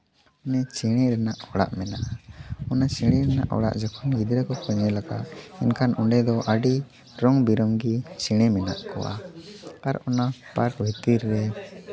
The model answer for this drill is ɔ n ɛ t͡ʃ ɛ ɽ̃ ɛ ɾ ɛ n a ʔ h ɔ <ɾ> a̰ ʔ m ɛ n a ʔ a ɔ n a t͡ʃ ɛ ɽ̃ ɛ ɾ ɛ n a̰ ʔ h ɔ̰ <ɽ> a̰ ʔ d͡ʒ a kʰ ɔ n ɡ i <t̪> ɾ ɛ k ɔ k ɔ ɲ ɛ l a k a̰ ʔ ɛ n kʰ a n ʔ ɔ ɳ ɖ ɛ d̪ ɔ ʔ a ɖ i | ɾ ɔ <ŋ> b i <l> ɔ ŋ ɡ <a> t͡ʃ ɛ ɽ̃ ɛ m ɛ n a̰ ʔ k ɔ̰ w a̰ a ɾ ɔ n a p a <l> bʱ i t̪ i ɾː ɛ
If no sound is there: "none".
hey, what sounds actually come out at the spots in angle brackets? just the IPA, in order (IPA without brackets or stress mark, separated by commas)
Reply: ɽ, ɽ, d̪, ŋ, ɾ, i, ɾ